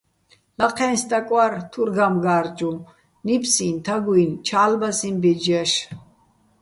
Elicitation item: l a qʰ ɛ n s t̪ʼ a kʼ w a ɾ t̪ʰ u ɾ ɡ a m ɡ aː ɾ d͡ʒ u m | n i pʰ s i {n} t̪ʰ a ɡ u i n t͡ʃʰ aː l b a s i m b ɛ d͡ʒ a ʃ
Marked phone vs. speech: correct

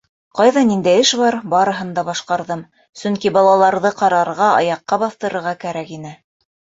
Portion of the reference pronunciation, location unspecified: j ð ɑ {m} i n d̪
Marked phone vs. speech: incorrect: n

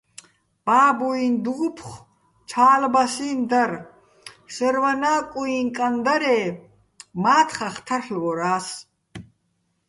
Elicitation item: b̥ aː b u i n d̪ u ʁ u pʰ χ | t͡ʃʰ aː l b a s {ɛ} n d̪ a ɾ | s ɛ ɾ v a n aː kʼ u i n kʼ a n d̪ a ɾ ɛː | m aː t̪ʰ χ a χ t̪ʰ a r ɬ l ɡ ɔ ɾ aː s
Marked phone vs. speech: incorrect: i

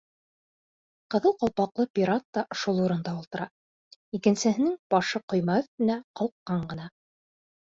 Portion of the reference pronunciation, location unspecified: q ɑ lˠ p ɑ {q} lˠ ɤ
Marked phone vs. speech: correct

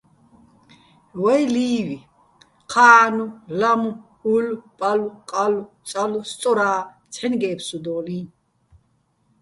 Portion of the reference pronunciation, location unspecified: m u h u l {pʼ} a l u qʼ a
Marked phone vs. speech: correct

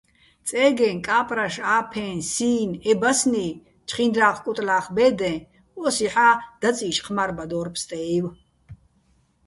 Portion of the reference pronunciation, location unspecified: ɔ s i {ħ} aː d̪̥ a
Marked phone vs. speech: correct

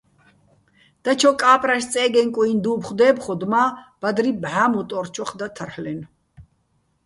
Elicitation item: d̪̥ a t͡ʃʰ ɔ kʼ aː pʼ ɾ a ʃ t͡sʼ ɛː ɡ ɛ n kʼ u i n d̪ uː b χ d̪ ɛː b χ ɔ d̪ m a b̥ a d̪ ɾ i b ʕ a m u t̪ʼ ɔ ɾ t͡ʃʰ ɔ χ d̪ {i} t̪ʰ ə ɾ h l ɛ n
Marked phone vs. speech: incorrect: a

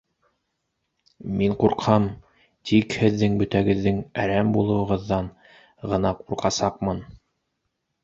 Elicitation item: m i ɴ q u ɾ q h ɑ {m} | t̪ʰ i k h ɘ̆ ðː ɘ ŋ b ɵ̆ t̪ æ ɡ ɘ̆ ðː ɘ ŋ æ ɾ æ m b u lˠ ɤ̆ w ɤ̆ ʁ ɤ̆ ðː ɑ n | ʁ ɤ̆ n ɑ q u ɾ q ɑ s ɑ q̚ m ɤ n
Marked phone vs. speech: correct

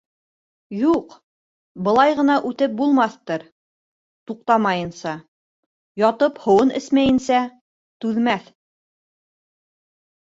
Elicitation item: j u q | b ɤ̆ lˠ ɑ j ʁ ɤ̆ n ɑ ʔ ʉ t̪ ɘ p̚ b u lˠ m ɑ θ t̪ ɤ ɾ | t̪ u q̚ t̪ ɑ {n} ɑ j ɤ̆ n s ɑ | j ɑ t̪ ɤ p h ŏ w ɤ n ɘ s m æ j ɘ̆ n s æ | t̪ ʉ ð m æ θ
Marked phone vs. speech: incorrect: m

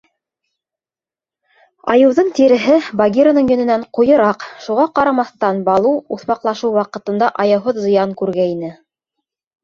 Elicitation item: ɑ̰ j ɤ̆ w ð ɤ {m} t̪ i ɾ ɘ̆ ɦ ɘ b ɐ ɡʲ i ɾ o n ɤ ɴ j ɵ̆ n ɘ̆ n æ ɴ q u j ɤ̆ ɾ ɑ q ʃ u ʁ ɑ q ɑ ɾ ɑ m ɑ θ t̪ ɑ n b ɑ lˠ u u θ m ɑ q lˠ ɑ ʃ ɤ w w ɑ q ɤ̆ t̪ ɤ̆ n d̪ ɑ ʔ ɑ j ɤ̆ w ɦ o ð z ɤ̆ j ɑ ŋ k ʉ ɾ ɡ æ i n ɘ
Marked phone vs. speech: incorrect: ɴ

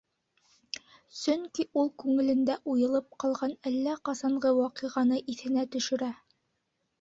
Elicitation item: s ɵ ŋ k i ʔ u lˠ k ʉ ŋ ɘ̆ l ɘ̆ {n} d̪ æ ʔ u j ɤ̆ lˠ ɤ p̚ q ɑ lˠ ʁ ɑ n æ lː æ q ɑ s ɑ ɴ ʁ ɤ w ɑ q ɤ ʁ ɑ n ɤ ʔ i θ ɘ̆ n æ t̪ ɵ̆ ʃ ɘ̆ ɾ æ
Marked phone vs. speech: correct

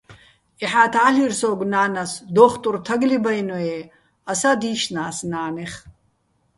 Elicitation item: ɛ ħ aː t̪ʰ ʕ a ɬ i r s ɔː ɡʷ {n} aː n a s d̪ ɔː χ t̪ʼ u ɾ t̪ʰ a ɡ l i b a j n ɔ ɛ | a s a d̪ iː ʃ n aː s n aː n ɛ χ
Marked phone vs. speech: correct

